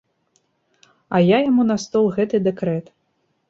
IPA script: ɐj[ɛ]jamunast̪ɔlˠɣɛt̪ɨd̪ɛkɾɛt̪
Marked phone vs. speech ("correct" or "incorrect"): incorrect